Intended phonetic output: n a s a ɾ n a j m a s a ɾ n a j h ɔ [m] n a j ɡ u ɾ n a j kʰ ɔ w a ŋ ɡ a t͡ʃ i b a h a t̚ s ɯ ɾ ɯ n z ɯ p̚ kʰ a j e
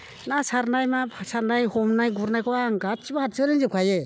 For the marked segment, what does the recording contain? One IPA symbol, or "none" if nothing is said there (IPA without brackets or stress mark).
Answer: m